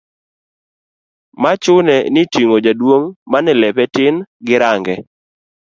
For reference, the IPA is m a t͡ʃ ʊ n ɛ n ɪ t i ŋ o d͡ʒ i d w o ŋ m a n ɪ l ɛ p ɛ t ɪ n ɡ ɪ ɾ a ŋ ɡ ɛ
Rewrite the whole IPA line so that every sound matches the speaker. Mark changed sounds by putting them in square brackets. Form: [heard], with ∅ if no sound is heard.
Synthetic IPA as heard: m a t͡ʃ ʊ n ɛ n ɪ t i ŋ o d͡ʒ [a] d w o ŋ m a n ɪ l ɛ p ɛ t ɪ n ɡ ɪ ɾ a ŋ ɡ ɛ